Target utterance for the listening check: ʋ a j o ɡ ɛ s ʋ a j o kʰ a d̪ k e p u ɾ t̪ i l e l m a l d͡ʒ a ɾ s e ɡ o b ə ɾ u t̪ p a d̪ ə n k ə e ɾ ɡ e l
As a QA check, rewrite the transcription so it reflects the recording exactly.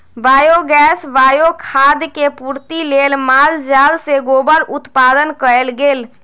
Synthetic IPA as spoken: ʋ a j o ɡ ɛ s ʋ a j o kʰ a d̪ k e p u ɾ t̪ i l e l m a l d͡ʒ a l s e ɡ o b ə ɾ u t̪ p a d̪ ə n k ə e l ɡ e l